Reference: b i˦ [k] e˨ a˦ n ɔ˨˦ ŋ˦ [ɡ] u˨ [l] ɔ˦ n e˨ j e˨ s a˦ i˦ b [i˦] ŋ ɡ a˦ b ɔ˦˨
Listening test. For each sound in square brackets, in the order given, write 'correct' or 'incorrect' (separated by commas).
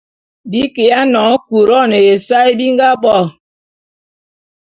correct, incorrect, incorrect, correct